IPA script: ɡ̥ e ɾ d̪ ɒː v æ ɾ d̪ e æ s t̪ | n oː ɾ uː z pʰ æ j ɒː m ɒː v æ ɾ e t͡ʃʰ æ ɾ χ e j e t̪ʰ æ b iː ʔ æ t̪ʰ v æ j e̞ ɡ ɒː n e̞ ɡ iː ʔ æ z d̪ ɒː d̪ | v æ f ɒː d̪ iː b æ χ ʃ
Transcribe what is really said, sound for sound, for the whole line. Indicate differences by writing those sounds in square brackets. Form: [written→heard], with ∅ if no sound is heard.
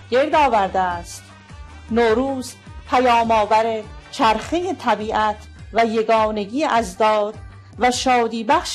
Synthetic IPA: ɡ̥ e ɾ d̪ ɒː v æ ɾ d̪ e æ s t̪ | n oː ɾ uː z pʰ æ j ɒː m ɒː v æ ɾ e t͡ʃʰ æ ɾ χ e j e t̪ʰ æ b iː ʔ æ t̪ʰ v æ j e̞ ɡ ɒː n e̞ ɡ iː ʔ æ z d̪ ɒː d̪ | v æ [f→ʃ] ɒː d̪ iː b æ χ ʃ